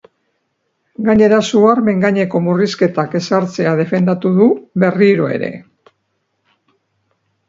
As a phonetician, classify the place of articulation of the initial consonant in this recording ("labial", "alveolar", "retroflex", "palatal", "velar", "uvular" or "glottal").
velar